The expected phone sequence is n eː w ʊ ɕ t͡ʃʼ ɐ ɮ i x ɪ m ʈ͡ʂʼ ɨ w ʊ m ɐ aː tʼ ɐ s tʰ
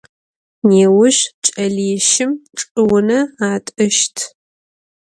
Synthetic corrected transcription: n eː w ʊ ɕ t͡ʃʼ ɐ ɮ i ʃ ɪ m ʈ͡ʂʼ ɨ w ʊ n ɐ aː tʼ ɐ ʃ tʰ

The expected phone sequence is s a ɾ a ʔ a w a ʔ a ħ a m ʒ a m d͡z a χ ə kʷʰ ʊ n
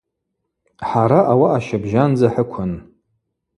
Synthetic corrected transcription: ħ a ɾ a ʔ a w a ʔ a ʃ a b ʒ a n d͡z a ħ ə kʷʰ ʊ n

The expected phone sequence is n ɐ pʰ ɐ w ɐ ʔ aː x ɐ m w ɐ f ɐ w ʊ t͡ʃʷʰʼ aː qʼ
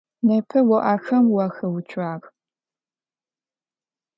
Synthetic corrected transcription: n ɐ pʰ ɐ w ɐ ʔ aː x ɐ m w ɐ x ɐ w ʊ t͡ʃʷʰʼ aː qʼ

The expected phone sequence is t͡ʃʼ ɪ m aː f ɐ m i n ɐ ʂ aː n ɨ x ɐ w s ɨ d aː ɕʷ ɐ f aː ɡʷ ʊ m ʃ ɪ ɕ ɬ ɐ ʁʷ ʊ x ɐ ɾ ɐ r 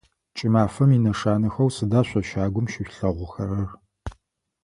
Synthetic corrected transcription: t͡ʃʼ ɪ m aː f ɐ m i n ɐ ʂ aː n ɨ x ɐ w s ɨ d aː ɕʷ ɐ ʃ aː ɡʷ ʊ m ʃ ɪ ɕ ɬ ɐ ʁʷ ʊ x ɐ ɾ ɐ r

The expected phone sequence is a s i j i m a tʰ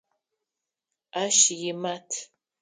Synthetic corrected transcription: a ʃ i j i m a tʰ

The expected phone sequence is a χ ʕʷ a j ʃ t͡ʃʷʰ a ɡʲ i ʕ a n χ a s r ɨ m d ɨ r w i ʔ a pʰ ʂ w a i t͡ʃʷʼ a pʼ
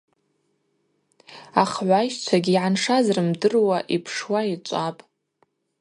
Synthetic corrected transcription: a χ ʕʷ a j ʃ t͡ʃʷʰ a ɡʲ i ʕ a n ʂ a z r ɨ m d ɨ r w a ʔ i pʰ ʂ w a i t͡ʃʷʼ a pʼ

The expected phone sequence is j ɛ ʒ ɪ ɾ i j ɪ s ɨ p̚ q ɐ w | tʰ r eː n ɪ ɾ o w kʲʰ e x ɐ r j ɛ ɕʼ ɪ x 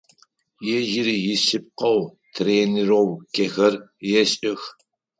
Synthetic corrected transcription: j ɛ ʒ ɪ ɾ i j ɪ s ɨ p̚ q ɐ w | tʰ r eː n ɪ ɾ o w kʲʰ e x ɐ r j ɛ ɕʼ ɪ x

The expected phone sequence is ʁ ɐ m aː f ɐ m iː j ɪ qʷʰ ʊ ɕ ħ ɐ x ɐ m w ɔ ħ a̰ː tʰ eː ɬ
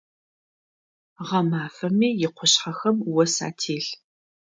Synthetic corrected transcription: ʁ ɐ m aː f ɐ m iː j ɪ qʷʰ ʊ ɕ ħ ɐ x ɐ m w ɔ s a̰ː tʰ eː ɬ

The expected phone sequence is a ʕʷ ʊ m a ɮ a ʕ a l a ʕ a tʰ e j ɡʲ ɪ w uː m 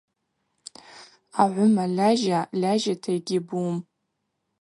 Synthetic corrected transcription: a ʕʷ ʊ m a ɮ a ʒ a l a ʒ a tʰ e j ɡʲ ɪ b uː m

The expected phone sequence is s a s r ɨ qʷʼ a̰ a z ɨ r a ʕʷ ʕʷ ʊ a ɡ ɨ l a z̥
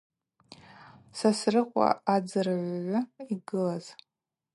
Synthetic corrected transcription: s a s r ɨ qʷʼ a̰ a d͡z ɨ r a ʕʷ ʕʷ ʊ i ɡ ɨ l a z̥

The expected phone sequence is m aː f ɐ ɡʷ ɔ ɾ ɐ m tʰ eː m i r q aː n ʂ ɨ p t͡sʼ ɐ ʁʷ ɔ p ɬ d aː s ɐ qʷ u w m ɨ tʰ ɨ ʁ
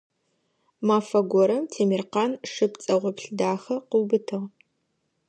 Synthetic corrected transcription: m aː f ɐ ɡʷ ɔ ɾ ɐ m tʰ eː m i r q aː n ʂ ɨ p t͡sʼ ɐ ʁʷ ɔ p ɬ d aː x ɐ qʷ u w b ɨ tʰ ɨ ʁ

